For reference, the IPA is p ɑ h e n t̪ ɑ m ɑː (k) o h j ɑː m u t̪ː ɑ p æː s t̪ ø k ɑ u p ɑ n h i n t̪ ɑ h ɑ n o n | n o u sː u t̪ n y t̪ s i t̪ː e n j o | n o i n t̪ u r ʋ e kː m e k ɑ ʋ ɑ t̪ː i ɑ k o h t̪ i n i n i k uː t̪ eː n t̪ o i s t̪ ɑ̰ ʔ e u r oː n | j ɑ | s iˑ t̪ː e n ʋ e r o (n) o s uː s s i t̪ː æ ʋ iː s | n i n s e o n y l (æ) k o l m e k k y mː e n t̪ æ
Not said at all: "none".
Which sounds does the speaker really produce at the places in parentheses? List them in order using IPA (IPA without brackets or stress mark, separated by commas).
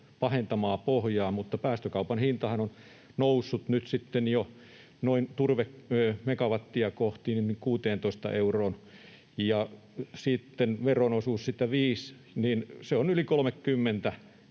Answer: p, n, i